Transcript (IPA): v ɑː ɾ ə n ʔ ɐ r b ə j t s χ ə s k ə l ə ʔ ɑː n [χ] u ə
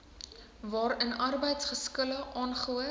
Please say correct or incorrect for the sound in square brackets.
correct